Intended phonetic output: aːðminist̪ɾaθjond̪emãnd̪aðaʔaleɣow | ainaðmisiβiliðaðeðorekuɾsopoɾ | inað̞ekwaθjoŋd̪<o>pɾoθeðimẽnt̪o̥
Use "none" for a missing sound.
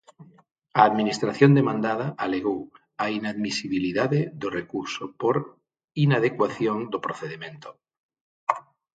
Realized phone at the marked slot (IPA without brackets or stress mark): o